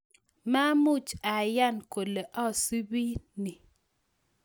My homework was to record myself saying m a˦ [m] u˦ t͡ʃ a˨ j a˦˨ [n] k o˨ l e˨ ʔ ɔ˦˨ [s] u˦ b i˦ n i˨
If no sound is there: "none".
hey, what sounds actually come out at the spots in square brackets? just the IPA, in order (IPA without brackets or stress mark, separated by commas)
m, n, s